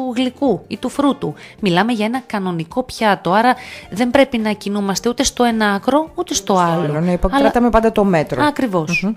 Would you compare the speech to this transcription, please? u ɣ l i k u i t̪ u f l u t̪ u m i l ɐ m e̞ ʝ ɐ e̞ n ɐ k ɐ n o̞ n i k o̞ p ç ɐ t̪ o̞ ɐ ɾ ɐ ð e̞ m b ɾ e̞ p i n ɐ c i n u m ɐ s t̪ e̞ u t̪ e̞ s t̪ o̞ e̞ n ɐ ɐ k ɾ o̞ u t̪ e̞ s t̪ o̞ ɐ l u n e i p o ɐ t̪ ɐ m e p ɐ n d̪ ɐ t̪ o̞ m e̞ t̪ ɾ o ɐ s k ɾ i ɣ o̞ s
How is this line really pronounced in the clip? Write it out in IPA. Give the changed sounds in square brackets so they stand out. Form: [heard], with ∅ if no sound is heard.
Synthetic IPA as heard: u ɣ l i k u i t̪ u f [ɾ] u t̪ u m i l ɐ m e̞ ʝ ɐ e̞ n ɐ k ɐ n o̞ n i k o̞ p ç ɐ t̪ o̞ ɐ ɾ ɐ ð e̞ m b ɾ e̞ p i n ɐ c i n u m ɐ s t̪ e̞ u t̪ e̞ s t̪ o̞ e̞ n ɐ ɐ k ɾ o̞ u t̪ e̞ s t̪ o̞ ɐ l [o] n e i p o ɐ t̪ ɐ m e p ɐ n d̪ ɐ t̪ o̞ m e̞ t̪ ɾ o ɐ [∅] k ɾ i [v] o̞ s